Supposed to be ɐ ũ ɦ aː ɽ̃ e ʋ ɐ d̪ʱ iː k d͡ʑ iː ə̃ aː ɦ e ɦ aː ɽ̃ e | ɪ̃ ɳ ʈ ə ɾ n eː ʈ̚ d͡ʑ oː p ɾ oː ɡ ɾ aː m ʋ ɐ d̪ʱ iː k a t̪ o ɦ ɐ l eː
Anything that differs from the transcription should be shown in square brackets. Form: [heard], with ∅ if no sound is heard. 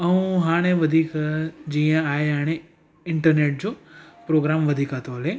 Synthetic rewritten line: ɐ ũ ɦ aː ɽ̃ e ʋ ɐ d̪ʱ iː k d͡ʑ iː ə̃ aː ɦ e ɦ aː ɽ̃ e | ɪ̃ ɳ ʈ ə ɾ n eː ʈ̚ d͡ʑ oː p ɾ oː ɡ ɾ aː m ʋ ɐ d̪ʱ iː k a t̪ o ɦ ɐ l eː